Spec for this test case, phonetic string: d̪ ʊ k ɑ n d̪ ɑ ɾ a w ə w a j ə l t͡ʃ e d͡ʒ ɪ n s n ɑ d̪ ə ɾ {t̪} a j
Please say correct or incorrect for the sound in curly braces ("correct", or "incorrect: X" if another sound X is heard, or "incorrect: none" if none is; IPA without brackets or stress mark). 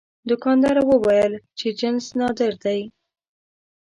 incorrect: d̪